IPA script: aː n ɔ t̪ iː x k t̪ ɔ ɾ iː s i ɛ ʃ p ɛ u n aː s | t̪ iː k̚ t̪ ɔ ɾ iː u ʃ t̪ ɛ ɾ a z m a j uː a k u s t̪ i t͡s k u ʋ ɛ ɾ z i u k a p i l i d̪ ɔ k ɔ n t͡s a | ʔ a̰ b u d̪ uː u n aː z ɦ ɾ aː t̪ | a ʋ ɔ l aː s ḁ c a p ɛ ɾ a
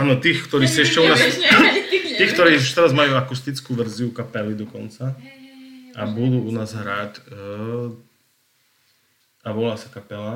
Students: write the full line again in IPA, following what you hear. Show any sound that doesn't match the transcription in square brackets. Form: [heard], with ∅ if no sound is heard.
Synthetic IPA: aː n ɔ t̪ iː x k t̪ ɔ ɾ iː s i ɛ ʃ [c] ɛ u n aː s | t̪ iː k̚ t̪ ɔ ɾ iː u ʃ t̪ ɛ ɾ a z m a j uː a k u s t̪ i t͡s k u ʋ ɛ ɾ z i u k a p [ɛ] l i d̪ ɔ k ɔ n t͡s a | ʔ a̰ b u d̪ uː u n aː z ɦ ɾ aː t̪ | a ʋ ɔ l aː s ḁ [k] a p ɛ [l] a